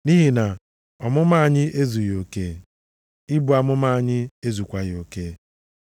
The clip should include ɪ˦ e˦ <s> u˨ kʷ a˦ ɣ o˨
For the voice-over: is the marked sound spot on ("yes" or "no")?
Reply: no